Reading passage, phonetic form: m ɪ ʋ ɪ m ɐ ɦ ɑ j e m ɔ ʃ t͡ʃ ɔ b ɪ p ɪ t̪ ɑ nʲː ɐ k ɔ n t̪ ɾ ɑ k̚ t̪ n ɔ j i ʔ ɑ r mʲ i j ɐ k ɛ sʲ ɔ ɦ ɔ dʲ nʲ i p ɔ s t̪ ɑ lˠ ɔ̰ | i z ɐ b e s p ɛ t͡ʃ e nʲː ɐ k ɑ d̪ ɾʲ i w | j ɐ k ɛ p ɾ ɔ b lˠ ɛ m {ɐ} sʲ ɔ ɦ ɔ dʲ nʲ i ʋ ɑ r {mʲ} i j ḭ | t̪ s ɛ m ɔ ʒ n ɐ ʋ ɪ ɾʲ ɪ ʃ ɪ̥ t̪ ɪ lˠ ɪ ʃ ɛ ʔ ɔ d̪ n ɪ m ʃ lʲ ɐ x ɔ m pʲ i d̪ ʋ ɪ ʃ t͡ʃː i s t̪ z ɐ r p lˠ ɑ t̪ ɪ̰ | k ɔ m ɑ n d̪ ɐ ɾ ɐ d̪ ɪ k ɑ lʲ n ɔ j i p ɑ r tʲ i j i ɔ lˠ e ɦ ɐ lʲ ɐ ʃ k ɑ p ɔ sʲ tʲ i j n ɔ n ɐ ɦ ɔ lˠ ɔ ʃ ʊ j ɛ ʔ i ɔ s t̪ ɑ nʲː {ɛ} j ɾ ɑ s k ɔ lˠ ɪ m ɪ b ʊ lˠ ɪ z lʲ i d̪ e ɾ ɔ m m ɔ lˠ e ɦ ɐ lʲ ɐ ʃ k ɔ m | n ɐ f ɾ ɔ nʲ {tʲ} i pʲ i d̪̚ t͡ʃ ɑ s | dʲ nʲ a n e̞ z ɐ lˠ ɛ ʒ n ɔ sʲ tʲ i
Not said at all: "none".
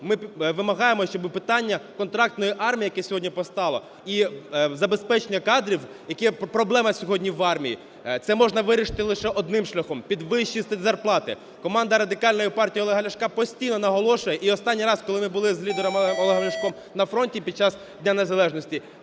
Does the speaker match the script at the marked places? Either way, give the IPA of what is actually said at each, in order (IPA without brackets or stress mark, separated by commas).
ɐ, mʲ, i, tʲ